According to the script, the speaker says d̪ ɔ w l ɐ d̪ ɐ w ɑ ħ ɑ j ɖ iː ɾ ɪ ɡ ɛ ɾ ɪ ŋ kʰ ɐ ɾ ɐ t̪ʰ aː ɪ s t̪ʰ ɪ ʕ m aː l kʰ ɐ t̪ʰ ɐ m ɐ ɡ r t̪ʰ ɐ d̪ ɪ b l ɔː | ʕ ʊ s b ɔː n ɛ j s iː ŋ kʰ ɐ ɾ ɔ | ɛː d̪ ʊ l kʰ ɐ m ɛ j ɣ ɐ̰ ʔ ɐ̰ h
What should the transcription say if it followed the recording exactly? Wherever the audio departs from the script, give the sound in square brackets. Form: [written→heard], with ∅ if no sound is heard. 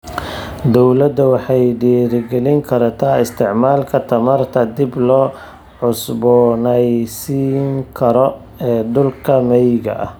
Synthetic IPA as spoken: d̪ ɔ w l ɐ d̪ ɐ w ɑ ħ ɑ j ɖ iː ɾ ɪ ɡ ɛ [ɾ→l] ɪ ŋ kʰ ɐ ɾ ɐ t̪ʰ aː ɪ s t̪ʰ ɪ ʕ m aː l kʰ ɐ t̪ʰ ɐ m ɐ [ɡ→∅] r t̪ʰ ɐ d̪ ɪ b l ɔː | ʕ ʊ s b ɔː n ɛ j s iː ŋ kʰ ɐ ɾ ɔ | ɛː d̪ ʊ l kʰ ɐ m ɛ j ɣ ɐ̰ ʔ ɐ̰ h